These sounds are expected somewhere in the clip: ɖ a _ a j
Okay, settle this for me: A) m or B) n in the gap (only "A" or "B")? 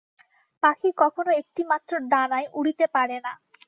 B